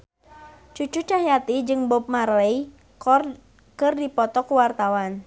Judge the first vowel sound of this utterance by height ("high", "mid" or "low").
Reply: high